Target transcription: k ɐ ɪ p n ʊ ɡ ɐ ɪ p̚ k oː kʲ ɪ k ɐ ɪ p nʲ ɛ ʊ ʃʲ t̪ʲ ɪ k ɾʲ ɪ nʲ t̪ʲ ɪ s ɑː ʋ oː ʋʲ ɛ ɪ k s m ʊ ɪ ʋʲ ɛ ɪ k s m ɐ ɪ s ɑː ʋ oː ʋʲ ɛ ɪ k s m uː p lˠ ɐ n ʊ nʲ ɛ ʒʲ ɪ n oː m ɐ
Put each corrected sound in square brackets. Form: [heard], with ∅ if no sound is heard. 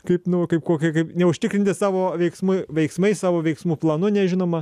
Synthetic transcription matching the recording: k ɐ ɪ p n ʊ [k] ɐ ɪ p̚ k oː kʲ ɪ k ɐ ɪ p nʲ ɛ ʊ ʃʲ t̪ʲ ɪ k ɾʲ ɪ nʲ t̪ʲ ɪ s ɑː ʋ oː ʋʲ ɛ ɪ k s m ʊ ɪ ʋʲ ɛ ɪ k s m ɐ ɪ s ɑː ʋ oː ʋʲ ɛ ɪ k s m uː p lˠ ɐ n ʊ nʲ ɛ ʒʲ ɪ n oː m ɐ